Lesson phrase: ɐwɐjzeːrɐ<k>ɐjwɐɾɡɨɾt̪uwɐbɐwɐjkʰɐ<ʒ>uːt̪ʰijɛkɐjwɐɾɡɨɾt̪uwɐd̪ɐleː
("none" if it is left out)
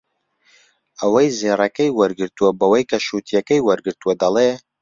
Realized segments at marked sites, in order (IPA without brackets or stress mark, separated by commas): k, ʃ